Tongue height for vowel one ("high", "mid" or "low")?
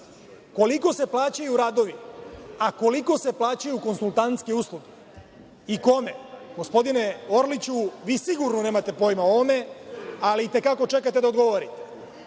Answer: mid